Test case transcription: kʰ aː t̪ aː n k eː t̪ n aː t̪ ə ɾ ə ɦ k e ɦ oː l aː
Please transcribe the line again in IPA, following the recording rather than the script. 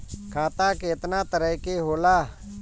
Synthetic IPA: kʰ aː t̪ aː k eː t̪ n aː t̪ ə ɾ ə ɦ k e ɦ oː l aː